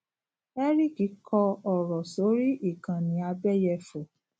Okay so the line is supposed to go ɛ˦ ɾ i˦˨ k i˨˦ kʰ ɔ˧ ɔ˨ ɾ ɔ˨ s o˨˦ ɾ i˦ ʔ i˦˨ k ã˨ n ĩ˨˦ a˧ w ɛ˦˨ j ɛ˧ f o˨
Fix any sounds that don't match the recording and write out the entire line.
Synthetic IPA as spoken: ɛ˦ ɾ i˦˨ k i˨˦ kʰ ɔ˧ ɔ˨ ɾ ɔ˨ s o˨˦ ɾ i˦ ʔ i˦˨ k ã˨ n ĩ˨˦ a˧ b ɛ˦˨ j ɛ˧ f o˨